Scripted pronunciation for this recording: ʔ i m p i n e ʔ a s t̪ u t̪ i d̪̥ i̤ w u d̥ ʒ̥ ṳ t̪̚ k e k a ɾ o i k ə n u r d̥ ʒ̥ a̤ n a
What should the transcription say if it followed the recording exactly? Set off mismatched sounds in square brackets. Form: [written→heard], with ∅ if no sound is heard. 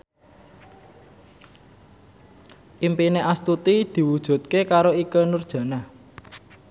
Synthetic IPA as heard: ʔ i m p i n e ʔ a s t̪ u t̪ i d̪̥ i̤ w u d̥ ʒ̥ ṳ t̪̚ k e k a ɾ o i k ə n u r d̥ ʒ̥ a̤ n a